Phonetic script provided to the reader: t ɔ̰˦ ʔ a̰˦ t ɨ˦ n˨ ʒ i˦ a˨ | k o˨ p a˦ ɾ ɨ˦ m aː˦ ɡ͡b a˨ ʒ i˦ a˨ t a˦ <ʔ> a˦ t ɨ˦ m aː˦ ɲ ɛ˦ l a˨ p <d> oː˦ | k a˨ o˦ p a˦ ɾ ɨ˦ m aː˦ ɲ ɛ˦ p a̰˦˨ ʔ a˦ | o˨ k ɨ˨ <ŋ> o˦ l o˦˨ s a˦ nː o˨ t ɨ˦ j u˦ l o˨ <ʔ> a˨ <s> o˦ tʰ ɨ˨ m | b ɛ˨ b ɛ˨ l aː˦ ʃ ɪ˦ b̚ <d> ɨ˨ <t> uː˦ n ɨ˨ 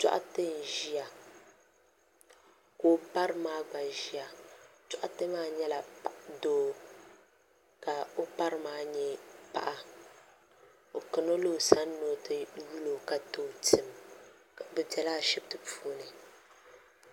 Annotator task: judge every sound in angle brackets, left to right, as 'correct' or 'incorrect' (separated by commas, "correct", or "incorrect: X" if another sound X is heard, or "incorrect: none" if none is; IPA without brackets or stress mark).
correct, correct, incorrect: n, incorrect: k, incorrect: t, incorrect: t, incorrect: p